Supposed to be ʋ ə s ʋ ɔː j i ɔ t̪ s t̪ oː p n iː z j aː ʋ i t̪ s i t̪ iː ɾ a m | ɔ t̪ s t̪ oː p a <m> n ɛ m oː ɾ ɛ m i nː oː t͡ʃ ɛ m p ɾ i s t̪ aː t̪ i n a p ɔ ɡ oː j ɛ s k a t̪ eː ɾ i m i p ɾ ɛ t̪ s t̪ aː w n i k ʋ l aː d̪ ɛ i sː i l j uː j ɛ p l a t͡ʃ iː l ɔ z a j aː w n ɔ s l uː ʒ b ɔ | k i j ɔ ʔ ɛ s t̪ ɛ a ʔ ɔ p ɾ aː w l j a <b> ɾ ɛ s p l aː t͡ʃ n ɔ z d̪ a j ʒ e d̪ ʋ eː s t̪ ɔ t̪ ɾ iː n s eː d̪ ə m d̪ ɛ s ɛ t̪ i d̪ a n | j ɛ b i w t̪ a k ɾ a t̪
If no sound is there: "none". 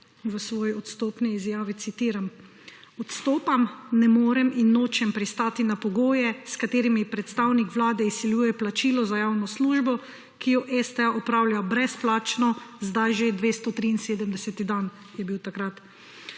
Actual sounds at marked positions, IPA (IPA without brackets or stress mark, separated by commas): m, b